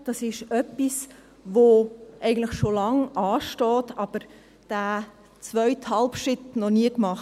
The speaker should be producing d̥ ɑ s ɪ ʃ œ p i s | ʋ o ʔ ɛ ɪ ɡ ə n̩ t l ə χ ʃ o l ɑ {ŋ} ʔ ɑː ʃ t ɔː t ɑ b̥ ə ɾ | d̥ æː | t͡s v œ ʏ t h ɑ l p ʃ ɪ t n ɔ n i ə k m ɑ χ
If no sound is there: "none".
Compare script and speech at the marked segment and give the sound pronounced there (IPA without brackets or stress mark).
ŋ